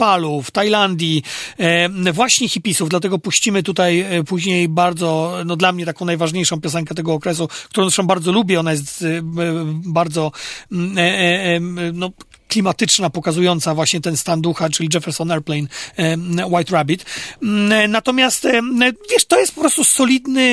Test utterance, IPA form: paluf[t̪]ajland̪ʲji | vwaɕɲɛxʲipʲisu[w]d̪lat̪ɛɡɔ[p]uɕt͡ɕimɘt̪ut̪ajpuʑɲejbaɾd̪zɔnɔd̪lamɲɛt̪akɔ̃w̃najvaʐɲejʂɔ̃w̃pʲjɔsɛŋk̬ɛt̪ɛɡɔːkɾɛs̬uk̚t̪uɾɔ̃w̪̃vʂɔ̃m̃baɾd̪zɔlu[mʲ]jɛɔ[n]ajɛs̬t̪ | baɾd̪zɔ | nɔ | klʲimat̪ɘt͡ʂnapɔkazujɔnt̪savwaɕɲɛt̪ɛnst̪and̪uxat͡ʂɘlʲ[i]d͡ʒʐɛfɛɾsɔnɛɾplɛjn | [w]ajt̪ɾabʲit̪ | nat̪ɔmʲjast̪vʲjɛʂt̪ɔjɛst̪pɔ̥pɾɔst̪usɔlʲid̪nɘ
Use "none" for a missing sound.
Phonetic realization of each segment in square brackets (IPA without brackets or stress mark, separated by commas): t̪, v, p, bʲ, n, i, w